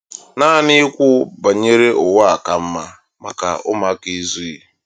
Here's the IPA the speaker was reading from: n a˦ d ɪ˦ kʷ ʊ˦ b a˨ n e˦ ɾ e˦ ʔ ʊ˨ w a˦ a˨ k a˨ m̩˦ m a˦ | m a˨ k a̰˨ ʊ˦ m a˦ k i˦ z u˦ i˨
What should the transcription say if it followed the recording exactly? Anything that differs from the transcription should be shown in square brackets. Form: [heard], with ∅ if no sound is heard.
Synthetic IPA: n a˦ [n] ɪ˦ kʷ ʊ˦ b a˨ [ɲ] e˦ ɾ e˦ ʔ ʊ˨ w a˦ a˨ k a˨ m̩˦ m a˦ | m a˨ k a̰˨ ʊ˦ m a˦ k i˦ z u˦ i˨